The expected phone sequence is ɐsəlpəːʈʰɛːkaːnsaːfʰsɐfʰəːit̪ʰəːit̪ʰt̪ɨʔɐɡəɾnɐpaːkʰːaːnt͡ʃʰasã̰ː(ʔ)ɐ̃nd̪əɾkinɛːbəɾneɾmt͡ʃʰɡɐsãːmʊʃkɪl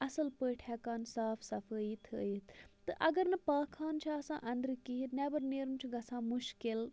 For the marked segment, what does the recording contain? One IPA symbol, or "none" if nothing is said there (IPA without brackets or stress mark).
ʔ